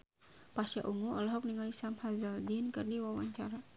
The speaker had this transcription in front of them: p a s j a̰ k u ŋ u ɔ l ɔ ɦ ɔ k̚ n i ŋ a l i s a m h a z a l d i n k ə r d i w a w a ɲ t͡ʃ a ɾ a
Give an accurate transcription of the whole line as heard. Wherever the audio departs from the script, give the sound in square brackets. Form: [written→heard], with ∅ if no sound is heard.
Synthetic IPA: p a s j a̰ [k→ʔ] u ŋ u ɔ l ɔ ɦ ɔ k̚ n i ŋ a l i s a m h a z a l d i n k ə r d i w a w a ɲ t͡ʃ a ɾ a